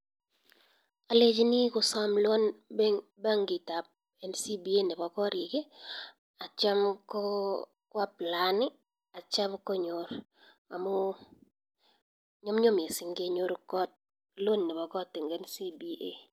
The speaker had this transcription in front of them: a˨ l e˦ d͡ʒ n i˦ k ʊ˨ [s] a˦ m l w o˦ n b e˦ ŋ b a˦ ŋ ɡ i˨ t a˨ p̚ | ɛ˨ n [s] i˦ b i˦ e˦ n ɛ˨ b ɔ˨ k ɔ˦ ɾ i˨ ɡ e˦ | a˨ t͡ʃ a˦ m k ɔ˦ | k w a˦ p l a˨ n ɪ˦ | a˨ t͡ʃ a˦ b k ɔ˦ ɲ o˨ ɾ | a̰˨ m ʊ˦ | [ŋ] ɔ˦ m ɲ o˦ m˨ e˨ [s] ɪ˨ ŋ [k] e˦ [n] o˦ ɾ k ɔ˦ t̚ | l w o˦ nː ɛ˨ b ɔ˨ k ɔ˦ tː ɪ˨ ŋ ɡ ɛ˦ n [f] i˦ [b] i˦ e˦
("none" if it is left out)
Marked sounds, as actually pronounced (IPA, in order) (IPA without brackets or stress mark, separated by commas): s, s, ɲ, s, ɡ, ɲ, s, b